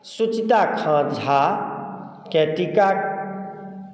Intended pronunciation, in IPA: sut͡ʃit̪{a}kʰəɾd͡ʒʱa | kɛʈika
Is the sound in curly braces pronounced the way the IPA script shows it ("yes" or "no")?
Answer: yes